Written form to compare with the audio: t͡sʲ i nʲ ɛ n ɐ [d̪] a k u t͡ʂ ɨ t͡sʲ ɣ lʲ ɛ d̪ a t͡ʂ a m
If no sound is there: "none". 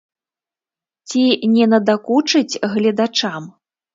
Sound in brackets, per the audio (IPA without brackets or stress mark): d̪